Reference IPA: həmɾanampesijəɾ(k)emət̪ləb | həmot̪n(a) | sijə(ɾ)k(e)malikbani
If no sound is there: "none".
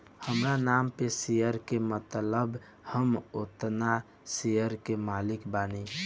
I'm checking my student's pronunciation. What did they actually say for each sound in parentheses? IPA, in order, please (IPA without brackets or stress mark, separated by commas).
k, a, ɾ, e